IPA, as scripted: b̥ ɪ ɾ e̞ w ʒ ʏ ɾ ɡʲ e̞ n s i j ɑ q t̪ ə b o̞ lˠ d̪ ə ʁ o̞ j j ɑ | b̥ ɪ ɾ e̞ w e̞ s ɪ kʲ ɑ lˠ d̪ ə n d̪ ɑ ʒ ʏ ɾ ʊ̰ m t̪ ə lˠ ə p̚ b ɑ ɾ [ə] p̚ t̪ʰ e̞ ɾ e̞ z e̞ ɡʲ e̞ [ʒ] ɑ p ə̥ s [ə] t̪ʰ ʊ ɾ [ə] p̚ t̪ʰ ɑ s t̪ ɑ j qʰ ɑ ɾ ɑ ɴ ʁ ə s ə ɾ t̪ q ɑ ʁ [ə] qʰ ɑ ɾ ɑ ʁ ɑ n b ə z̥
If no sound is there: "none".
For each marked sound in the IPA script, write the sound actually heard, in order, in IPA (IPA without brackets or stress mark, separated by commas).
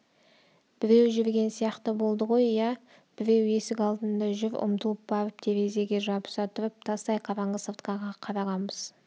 ə, ʒ, ɑ, ə, ɑ